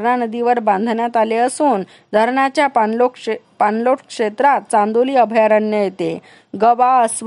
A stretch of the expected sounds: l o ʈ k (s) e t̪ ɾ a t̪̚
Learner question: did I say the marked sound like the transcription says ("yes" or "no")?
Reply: no